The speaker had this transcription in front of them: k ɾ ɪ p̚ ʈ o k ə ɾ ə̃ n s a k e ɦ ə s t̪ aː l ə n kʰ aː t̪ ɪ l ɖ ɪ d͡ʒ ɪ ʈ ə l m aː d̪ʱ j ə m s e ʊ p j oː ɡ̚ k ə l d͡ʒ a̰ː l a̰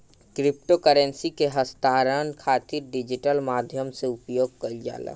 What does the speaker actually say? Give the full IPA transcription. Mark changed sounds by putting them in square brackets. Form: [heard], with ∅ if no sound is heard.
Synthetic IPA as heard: k ɾ ɪ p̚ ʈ o k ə ɾ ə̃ n s [i] k e ɦ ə s t̪ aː [ɾ] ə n kʰ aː t̪ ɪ [ɾ] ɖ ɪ d͡ʒ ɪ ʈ ə l m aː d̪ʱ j ə m s e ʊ p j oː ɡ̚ k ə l d͡ʒ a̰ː l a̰